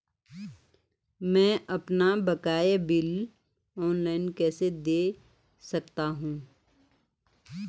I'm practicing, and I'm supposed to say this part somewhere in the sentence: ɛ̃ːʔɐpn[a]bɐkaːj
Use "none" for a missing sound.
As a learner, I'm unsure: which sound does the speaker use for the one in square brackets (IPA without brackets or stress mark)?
a